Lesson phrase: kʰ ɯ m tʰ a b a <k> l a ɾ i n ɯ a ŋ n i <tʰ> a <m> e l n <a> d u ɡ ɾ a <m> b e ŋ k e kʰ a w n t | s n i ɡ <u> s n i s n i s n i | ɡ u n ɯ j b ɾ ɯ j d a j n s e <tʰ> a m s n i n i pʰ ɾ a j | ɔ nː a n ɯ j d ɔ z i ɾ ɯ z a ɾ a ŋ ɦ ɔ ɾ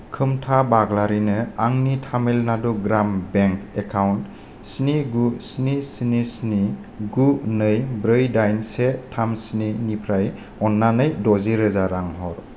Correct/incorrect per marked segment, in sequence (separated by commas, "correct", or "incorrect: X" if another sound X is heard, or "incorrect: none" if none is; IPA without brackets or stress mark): incorrect: ɡ, correct, correct, correct, correct, correct, correct